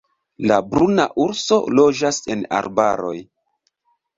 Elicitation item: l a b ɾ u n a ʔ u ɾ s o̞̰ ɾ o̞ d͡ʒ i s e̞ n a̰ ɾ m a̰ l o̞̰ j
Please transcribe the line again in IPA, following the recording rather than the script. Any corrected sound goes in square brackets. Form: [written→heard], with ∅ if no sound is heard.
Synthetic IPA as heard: l a b ɾ u n a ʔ u ɾ s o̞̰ [ɾ→l] o̞ d͡ʒ [i→a] s e̞ n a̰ ɾ [m→b] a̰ [l→ɾ] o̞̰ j